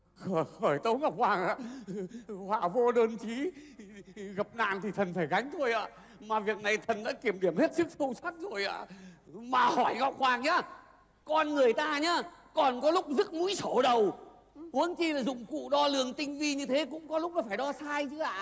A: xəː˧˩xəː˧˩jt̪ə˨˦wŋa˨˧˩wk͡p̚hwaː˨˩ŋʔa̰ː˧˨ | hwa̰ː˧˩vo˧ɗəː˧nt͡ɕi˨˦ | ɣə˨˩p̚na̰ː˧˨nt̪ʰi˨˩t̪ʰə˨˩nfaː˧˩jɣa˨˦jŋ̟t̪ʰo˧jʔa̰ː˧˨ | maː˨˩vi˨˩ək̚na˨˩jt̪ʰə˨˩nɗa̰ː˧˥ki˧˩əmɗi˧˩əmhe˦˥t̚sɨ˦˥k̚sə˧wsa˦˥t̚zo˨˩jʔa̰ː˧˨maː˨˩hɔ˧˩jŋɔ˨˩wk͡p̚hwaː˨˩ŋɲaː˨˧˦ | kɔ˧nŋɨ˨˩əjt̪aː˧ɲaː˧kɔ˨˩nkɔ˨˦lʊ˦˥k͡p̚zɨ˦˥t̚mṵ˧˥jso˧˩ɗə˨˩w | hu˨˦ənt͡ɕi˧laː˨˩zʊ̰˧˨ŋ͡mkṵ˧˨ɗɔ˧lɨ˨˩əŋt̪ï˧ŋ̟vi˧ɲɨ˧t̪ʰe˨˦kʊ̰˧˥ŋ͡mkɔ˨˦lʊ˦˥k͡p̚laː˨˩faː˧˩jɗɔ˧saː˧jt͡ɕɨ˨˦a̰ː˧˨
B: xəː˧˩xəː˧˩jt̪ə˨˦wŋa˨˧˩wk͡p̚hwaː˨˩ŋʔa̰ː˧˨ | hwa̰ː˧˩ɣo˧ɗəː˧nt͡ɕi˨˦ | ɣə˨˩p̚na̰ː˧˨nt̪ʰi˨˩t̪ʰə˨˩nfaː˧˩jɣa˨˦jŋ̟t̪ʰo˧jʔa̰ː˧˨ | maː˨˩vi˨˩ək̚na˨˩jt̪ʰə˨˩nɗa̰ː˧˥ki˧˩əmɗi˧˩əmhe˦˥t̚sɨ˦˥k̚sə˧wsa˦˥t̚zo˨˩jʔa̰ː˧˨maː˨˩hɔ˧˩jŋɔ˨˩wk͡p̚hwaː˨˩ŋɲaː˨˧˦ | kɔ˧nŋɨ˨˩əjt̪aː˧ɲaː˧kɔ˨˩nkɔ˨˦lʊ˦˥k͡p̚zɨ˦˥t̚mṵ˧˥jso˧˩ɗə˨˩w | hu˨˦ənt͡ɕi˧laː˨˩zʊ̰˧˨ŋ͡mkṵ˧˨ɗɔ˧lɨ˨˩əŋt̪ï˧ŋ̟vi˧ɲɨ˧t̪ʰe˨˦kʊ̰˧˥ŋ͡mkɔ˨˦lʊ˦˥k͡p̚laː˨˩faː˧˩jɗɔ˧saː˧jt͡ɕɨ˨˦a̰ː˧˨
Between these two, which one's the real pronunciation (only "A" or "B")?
A